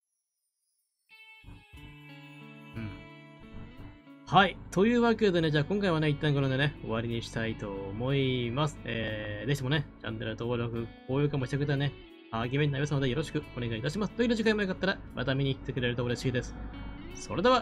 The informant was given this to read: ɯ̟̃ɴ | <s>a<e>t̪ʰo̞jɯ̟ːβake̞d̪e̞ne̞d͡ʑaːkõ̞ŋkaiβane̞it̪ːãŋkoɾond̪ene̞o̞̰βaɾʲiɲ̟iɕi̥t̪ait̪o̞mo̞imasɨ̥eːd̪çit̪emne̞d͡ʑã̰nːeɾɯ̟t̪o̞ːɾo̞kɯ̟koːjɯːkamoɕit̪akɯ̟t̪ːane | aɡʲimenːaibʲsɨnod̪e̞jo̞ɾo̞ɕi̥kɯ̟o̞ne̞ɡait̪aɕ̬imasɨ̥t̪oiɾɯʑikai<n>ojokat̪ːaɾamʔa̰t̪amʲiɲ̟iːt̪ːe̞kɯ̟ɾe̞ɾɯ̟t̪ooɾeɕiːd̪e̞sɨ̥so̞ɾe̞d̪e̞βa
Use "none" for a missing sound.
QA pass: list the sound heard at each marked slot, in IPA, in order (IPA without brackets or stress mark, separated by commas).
h, i, m